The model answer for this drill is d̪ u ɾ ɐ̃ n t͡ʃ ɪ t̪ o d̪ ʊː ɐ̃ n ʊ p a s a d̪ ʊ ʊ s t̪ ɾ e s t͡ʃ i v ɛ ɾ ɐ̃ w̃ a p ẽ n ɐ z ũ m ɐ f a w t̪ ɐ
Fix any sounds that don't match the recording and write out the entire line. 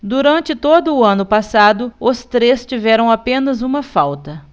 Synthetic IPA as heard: d̪ u ɾ ɐ̃ n t͡ʃ ɪ t̪ o d̪ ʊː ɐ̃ n ʊ p a s a d̪ ʊ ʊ s t̪ ɾ e s t͡ʃ i v ɛ ɾ ɐ̃ w̃ a p ẽ n ɐ z ũ m ɐ f a w t̪ ɐ